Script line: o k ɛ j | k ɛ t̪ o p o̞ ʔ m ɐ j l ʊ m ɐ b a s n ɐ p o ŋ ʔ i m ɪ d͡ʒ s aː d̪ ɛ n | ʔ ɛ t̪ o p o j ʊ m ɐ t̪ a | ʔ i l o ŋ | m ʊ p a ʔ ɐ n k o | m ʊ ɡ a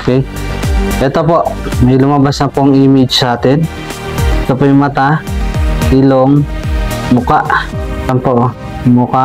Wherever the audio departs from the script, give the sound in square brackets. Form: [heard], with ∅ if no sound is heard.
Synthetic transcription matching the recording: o k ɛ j | [ʔ] ɛ t̪ o p o̞ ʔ m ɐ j l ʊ m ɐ b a s n ɐ p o ŋ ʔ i m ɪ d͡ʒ s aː [t̪] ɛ n | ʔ ɛ t̪ o p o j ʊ m ɐ t̪ a | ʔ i l o ŋ | m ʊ [k] a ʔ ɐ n [p] o | m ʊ [k] a